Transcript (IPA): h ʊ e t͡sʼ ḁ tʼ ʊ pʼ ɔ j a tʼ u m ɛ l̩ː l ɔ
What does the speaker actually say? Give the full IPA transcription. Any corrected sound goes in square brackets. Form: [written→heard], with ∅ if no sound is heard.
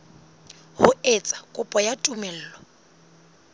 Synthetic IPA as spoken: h ʊ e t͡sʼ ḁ [tʼ→kʼ] ʊ pʼ ɔ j a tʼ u m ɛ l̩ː l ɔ